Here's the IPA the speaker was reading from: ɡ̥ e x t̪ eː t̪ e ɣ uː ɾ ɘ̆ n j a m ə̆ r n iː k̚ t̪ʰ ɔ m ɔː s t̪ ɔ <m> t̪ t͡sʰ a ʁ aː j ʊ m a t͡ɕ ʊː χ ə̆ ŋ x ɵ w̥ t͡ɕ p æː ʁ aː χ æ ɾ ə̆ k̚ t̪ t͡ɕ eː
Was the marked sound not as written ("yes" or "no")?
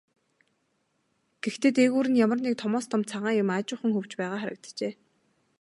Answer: no